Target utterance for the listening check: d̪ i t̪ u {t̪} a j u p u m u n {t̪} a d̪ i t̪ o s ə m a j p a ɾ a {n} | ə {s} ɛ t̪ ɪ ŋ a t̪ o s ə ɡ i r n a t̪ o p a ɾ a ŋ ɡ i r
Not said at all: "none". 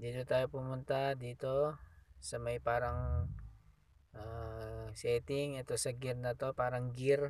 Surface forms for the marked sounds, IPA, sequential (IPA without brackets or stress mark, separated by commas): t̪, t̪, ŋ, s